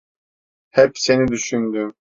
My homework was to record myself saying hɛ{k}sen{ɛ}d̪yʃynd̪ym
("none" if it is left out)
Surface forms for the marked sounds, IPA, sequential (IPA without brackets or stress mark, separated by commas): p, i